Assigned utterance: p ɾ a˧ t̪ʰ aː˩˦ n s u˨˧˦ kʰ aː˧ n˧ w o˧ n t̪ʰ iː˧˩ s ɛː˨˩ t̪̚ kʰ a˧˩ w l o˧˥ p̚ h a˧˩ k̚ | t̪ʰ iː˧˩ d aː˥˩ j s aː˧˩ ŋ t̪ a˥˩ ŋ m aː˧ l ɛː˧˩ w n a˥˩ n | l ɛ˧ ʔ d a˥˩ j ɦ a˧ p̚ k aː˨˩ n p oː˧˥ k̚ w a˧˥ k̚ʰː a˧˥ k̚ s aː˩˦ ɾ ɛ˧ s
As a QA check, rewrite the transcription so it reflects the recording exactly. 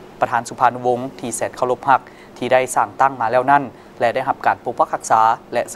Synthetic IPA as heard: p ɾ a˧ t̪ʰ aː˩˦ n s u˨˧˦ pʰ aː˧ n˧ w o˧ ŋ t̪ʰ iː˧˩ s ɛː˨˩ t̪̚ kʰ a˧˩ w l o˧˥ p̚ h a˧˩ k̚ | t̪ʰ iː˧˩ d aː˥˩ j s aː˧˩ ŋ t̪ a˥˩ ŋ m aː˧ l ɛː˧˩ w n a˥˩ n | l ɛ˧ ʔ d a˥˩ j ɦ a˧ p̚ k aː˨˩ n p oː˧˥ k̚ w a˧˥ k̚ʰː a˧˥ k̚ s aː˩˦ l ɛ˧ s